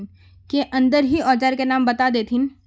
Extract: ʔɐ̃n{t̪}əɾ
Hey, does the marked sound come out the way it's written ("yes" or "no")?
no